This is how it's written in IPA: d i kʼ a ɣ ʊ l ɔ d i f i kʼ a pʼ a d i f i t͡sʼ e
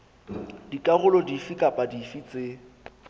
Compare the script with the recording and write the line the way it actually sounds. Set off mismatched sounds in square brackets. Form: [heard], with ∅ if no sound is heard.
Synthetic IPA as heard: d i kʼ a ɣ ʊ l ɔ d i f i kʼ a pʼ a d i f i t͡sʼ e